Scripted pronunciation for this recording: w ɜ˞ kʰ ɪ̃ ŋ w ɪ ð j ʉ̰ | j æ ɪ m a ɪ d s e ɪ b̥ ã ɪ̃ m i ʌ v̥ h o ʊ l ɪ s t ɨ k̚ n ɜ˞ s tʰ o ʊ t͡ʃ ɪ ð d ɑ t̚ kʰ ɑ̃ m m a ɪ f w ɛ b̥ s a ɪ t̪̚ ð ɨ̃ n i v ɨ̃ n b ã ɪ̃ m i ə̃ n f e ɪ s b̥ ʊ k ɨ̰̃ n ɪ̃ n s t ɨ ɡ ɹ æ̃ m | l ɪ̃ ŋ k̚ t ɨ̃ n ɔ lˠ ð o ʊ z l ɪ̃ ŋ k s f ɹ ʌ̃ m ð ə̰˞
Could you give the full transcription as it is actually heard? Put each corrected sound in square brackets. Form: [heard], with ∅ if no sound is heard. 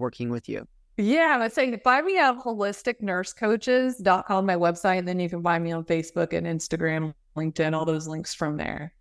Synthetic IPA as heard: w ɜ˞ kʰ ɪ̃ ŋ w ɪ ð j ʉ̰ | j æ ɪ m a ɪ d s e ɪ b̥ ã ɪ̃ m i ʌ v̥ h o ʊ l ɪ s t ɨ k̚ n ɜ˞ s [kʰ] o ʊ t͡ʃ ɪ [z] d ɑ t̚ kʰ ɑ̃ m m a ɪ [∅] w ɛ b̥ s a ɪ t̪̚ ð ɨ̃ n i v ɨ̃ n b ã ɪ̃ m i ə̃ n f e ɪ s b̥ ʊ k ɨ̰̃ n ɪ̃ n s t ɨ ɡ ɹ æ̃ m | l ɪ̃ ŋ k̚ t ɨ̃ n ɔ lˠ ð o ʊ z l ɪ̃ ŋ k s f ɹ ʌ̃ m ð ə̰˞